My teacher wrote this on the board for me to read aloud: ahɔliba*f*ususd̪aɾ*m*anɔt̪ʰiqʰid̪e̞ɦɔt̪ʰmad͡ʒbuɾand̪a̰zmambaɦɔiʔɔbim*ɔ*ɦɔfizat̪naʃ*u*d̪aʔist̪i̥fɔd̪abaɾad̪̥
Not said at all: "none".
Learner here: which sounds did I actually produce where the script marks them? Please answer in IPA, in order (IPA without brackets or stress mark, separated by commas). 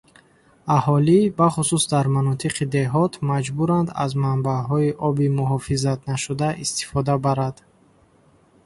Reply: χ, m, u, u